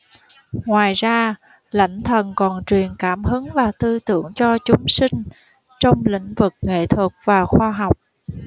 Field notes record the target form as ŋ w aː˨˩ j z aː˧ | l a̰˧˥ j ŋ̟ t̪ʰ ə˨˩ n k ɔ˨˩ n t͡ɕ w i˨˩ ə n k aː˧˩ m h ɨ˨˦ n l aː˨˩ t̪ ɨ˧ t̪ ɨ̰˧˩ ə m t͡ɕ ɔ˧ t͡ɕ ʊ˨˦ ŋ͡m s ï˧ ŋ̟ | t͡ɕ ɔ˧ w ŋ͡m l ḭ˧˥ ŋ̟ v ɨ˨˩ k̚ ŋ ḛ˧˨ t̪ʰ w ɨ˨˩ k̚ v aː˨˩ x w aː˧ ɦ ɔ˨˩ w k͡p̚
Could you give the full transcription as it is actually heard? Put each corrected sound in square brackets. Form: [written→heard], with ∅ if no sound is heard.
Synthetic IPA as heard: ŋ w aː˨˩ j z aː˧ | l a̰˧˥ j ŋ̟ t̪ʰ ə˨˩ n k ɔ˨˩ n t͡ɕ w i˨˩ ə n k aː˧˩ m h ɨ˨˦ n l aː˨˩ t̪ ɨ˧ t̪ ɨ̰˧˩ ə [m→ŋ] t͡ɕ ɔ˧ t͡ɕ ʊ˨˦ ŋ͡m s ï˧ ŋ̟ | t͡ɕ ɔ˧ w ŋ͡m l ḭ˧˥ ŋ̟ v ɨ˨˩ k̚ ŋ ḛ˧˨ t̪ʰ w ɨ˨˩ k̚ v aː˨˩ x w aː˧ ɦ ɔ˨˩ w k͡p̚